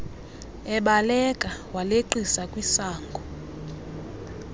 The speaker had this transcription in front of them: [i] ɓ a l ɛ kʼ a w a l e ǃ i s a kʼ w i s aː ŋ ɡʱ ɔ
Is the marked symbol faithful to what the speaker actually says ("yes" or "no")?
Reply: no